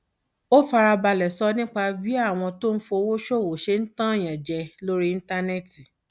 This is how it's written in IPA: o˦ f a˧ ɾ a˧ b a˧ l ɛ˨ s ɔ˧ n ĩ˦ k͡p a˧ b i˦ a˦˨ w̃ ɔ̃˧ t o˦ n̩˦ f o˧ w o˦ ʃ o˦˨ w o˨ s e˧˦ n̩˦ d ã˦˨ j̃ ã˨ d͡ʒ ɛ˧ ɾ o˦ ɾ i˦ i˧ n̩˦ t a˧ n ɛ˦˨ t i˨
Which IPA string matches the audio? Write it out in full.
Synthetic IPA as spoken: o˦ f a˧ ɾ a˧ b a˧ l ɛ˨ s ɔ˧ n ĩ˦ k͡p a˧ b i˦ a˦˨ w̃ ɔ̃˧ t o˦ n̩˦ f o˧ w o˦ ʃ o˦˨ w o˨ ʃ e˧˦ n̩˦ t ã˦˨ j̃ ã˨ d͡ʒ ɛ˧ l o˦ ɾ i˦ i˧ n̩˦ t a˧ n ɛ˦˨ t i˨